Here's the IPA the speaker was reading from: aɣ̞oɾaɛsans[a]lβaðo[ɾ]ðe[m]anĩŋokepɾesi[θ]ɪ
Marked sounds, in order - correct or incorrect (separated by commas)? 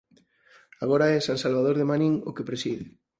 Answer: correct, correct, correct, incorrect